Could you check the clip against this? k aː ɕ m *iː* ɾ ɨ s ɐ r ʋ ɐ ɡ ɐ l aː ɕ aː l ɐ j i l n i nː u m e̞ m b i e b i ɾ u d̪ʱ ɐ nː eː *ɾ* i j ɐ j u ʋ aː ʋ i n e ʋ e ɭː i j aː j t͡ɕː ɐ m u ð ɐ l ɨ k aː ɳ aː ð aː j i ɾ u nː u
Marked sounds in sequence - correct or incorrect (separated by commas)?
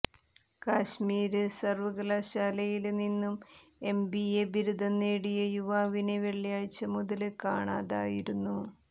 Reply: correct, incorrect